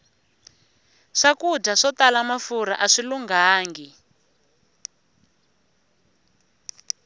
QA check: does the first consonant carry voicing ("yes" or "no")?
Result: no